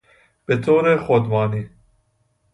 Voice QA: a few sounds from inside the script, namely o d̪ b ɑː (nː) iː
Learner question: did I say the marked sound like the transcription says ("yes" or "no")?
no